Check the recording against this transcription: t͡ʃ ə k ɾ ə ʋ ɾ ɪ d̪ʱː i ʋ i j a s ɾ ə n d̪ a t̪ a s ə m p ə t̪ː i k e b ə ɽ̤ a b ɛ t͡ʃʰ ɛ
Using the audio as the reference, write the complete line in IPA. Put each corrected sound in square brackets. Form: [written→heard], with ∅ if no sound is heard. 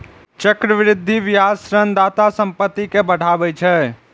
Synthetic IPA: t͡ʃ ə k ɾ ə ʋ ɾ ɪ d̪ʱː i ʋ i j a s ɾ ə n d̪ a t̪ a s ə m p ə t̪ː i k e b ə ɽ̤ a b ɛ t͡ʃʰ ɛ